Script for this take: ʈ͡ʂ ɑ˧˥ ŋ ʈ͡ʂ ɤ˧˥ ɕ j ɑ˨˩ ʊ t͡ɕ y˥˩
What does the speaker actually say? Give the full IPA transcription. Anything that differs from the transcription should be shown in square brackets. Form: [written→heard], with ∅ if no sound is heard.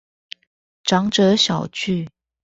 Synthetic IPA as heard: ʈ͡ʂ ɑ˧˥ ŋ ʈ͡ʂ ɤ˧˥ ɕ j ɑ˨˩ ʊ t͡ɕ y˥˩